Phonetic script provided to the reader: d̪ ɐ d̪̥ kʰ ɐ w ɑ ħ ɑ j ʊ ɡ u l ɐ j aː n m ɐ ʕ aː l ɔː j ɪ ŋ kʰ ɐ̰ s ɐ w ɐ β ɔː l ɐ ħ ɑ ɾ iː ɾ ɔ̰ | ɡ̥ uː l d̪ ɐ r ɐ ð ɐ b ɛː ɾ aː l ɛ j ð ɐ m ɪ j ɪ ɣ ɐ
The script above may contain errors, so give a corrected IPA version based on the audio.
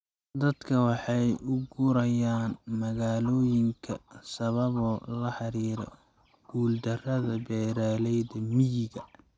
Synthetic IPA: d̪ ɐ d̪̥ kʰ ɐ w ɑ ħ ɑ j ʊ ɡ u ɾ ɐ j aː n m ɐ ɣ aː l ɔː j ɪ ŋ kʰ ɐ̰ s ɐ β ɐ β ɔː l ɐ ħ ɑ ɾ iː ɾ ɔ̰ | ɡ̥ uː l d̪ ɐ r ɐ ð ɐ b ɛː ɾ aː l ɛ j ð ɐ m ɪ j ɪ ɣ ɐ